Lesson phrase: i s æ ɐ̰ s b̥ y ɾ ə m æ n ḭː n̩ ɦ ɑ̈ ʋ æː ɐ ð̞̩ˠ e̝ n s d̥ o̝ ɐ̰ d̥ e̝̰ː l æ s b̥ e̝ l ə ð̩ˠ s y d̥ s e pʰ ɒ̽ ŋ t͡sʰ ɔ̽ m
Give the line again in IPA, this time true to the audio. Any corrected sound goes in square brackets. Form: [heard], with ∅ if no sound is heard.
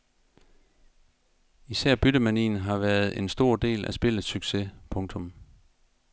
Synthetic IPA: i s æ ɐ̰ [∅] b̥ y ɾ ə m æ n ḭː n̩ ɦ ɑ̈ ʋ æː ɐ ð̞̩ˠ e̝ n s d̥ o̝ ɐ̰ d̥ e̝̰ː l æ s b̥ e̝ l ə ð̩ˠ s y [ɡ̥] s e pʰ [ɔ̽] ŋ t͡sʰ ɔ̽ m